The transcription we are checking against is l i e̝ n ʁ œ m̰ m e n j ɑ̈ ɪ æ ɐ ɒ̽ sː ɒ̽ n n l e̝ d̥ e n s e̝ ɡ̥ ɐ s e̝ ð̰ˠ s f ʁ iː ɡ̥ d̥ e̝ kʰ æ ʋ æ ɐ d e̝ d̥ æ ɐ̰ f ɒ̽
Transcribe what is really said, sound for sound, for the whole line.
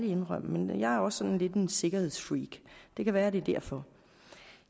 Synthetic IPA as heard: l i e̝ n ʁ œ m̰ m e n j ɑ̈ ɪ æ ɐ ɒ̽ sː ɒ̽ n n l e̝ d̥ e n s e̝ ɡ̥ ɐ h e̝ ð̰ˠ s f ʁ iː ɡ̥ d̥ e̝ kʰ æ ʋ æː ɐ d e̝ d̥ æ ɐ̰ f ɒ̽